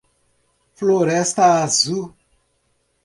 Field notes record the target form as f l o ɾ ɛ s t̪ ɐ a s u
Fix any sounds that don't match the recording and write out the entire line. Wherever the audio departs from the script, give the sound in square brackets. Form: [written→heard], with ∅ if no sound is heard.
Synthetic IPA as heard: f l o ɾ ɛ s t̪ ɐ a [s→z] u